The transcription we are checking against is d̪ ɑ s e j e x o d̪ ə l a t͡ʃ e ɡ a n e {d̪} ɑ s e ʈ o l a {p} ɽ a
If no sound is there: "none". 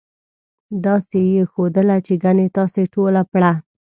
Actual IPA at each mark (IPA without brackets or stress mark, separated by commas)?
t̪, p